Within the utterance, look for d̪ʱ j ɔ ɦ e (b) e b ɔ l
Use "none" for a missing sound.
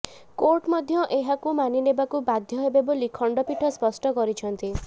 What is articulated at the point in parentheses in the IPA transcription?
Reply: b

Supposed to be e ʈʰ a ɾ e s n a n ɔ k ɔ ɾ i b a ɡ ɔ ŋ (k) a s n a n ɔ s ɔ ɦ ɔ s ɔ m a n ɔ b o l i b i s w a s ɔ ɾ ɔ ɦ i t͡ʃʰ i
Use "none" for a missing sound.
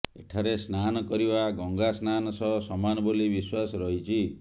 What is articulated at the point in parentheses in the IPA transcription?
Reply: ɡ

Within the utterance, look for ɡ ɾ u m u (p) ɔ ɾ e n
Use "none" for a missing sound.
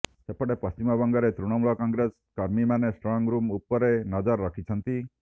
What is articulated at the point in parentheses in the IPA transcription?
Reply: p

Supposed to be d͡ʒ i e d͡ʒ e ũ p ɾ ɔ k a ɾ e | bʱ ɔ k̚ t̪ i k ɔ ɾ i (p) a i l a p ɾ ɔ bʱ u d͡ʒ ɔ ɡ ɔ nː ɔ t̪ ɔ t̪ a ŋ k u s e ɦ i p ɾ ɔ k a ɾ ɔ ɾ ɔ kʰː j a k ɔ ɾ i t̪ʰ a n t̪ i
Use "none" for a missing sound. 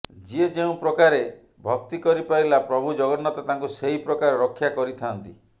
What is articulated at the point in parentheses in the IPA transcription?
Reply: p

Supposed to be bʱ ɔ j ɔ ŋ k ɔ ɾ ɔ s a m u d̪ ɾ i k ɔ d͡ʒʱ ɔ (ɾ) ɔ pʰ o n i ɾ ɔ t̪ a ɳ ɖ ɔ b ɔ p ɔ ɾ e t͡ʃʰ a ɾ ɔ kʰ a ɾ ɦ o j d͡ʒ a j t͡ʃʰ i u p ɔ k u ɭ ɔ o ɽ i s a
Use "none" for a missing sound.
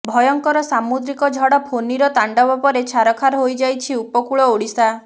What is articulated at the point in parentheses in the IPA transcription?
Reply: ɽ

